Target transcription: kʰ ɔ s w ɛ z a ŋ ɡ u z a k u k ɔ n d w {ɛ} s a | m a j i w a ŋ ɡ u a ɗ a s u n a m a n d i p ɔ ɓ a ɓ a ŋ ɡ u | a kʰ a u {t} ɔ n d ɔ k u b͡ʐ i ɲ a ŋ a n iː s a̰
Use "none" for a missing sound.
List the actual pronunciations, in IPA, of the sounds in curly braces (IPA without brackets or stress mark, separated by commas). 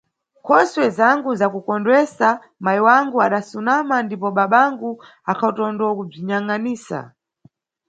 ɛ, t